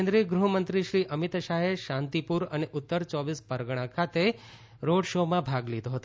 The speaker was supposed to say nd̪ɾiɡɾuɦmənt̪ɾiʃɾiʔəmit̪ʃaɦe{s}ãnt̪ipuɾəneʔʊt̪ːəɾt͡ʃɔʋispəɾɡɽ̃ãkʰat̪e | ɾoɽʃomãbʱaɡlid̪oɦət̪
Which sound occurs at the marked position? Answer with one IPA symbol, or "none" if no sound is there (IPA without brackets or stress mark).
ʃ